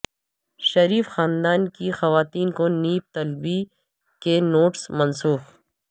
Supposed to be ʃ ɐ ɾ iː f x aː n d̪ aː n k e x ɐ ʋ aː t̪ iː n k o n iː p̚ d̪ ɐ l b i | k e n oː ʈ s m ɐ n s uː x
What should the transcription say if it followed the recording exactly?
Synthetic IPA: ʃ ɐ ɾ iː f x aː n d̪ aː n k i x ɐ ʋ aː t̪ iː n k o n iː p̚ t̪ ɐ l b i | k e n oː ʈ s m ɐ n s uː x